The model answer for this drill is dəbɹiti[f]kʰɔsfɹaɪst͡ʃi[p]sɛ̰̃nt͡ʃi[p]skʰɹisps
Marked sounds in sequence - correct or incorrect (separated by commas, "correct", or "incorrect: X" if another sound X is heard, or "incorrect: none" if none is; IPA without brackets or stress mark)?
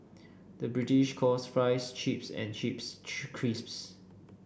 incorrect: ʃ, correct, correct